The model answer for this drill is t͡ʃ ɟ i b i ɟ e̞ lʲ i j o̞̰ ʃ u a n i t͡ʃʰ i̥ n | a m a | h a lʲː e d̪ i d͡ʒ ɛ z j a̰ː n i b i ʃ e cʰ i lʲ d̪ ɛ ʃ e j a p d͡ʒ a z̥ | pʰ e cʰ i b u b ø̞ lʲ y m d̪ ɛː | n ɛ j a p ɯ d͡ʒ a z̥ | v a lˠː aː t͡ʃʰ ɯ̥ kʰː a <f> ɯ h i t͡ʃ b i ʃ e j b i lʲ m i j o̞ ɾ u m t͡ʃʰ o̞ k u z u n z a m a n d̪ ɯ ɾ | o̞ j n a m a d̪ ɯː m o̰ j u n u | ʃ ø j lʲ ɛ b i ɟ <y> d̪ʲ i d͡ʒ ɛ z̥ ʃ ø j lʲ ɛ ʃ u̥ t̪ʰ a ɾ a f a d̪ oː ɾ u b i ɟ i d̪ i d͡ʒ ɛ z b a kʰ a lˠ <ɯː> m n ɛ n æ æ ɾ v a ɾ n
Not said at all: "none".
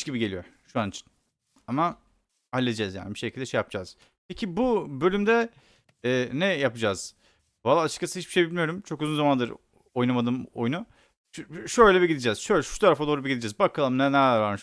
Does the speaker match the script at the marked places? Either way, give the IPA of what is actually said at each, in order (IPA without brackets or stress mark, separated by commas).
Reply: s, i, ɯ